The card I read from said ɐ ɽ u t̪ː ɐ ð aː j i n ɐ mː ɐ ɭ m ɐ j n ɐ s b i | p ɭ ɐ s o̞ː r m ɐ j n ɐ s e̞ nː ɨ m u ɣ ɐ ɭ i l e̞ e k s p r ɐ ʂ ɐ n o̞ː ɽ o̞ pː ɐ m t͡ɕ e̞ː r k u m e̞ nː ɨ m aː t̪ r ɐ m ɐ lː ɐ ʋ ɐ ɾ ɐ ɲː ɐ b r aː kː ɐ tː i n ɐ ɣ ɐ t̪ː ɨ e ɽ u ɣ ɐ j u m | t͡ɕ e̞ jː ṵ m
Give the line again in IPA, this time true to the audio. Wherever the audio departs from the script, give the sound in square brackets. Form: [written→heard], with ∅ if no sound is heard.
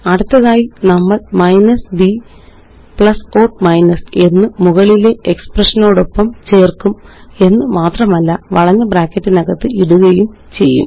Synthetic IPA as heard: ɐ ɽ u t̪ː ɐ ð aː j i n ɐ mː ɐ ɭ m ɐ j n ɐ s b i | p ɭ ɐ s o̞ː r m ɐ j n ɐ s e̞ nː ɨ m u ɣ ɐ ɭ i l e̞ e k s p r ɐ ʂ ɐ n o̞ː ɽ o̞ pː ɐ m t͡ɕ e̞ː r k u m e̞ nː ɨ m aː t̪ r ɐ m ɐ lː ɐ ʋ ɐ [ɾ→ɭ] ɐ ɲː ɐ b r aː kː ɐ tː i n ɐ ɣ ɐ t̪ː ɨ [e→i] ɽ u ɣ ɐ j u m | t͡ɕ e̞ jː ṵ m